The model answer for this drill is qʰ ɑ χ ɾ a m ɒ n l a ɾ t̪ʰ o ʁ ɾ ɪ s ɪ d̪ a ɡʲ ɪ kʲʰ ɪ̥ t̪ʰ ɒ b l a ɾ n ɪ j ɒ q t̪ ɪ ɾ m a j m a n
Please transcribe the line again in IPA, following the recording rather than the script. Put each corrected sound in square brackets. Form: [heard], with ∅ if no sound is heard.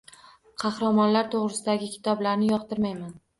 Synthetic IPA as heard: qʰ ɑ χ ɾ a m ɒ n l a ɾ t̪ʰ o ʁ ɾ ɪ s ɪ d̪ a ɡʲ ɪ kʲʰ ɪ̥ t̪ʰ ɒ b l a ɾ n ɪ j ɒ q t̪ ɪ ɾ m a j m a n